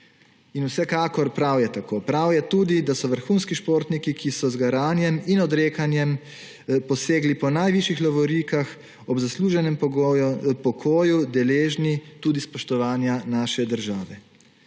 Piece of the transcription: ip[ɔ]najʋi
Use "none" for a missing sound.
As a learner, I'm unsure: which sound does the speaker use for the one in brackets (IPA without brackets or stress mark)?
ɔ